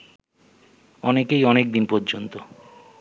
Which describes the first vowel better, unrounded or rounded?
rounded